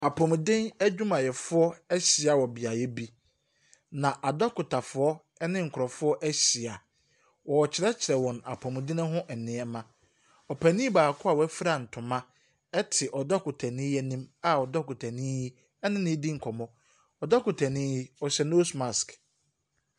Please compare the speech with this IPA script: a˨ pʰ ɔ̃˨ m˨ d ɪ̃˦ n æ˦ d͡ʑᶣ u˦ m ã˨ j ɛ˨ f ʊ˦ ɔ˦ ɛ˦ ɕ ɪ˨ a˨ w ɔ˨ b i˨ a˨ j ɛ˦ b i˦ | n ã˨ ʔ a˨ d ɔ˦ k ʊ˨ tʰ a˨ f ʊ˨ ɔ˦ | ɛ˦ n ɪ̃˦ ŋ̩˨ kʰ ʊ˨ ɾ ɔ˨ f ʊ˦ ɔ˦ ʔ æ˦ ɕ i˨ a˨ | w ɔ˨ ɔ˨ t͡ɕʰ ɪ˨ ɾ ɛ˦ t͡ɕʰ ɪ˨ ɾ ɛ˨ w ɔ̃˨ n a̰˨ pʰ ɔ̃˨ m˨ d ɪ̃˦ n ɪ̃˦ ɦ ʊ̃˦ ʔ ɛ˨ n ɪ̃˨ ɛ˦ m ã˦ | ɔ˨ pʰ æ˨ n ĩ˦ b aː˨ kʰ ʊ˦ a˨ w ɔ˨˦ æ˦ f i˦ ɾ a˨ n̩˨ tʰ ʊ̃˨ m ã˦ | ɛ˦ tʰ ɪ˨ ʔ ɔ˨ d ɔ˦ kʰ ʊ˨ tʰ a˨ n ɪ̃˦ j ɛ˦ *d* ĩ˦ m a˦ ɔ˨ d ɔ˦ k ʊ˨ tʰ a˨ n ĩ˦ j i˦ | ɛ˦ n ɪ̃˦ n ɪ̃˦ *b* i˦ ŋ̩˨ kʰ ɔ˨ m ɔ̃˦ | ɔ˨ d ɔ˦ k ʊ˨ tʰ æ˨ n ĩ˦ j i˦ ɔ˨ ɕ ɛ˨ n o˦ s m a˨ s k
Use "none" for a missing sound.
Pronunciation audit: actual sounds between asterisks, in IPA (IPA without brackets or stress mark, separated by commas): n, d